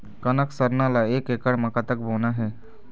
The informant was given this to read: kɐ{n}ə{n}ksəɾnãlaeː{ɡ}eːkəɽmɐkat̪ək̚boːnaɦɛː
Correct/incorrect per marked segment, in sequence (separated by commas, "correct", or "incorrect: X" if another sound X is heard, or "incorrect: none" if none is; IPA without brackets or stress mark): correct, incorrect: none, incorrect: k